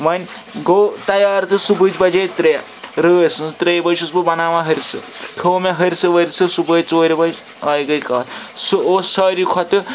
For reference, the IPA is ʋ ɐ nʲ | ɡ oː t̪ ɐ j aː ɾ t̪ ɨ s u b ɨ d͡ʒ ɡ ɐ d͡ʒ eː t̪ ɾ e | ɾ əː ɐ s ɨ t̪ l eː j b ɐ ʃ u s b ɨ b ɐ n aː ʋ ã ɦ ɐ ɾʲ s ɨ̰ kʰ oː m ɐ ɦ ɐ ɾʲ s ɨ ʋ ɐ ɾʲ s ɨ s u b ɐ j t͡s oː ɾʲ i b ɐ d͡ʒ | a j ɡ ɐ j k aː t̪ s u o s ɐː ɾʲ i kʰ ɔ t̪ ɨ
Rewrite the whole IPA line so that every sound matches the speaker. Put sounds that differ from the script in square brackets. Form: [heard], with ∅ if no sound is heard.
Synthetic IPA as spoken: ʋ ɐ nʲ | ɡ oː t̪ ɐ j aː ɾ t̪ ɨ s u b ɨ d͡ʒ [b] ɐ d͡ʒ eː t̪ ɾ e | ɾ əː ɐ s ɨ t̪ [ɾ] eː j b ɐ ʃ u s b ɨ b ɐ n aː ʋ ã ɦ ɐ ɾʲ s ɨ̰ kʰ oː m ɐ ɦ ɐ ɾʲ s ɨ ʋ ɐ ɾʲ s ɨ s u b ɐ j t͡s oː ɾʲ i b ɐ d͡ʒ | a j ɡ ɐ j k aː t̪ s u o s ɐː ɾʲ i kʰ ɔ t̪ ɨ